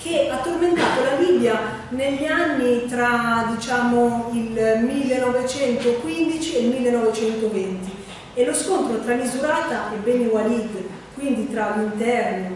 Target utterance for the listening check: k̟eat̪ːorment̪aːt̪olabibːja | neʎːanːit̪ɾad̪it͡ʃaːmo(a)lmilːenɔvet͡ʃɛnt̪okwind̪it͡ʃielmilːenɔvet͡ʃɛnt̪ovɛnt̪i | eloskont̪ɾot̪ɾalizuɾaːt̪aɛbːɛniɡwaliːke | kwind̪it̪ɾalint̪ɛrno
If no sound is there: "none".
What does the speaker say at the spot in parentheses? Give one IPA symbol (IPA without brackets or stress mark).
i